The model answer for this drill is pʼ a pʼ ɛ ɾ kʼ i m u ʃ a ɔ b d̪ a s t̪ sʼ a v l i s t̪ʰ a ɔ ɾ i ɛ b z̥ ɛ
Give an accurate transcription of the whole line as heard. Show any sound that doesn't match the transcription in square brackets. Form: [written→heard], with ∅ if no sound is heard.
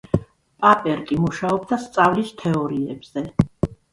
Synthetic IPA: pʼ a pʼ ɛ ɾ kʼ i m u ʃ a ɔ b d̪ a s t̪ sʼ a v l i s t̪ʰ [a→ɛ] ɔ ɾ i ɛ b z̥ ɛ